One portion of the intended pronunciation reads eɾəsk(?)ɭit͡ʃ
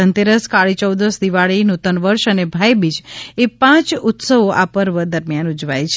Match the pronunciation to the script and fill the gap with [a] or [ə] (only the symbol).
a